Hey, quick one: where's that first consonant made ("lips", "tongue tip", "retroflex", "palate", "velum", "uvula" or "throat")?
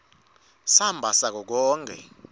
tongue tip